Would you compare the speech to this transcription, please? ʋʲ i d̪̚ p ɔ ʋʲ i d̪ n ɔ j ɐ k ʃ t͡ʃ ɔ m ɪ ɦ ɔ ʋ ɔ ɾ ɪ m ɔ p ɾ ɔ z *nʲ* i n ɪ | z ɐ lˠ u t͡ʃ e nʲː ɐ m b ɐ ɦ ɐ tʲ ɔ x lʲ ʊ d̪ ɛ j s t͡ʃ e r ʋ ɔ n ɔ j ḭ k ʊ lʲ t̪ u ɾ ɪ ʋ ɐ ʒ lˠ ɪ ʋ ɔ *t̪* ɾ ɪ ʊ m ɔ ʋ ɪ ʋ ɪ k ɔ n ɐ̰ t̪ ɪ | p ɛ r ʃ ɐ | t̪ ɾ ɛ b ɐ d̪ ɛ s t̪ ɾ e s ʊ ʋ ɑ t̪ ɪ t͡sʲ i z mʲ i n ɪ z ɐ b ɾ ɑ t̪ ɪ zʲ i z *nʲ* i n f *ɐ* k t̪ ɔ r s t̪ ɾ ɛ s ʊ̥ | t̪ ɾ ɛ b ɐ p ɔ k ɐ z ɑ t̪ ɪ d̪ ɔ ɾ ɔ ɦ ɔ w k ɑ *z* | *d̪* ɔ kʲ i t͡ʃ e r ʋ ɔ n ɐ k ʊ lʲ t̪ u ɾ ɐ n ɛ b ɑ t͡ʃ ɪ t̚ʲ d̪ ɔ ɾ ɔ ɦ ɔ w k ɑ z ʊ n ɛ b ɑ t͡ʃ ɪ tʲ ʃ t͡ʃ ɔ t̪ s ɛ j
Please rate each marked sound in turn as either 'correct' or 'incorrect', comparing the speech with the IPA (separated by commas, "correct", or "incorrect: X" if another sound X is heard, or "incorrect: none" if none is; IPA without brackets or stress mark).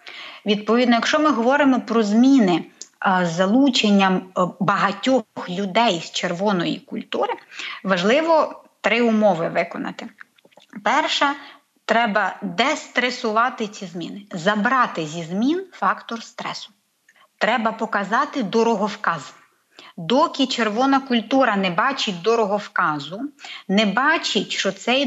incorrect: mʲ, correct, incorrect: mʲ, incorrect: ɑ, correct, correct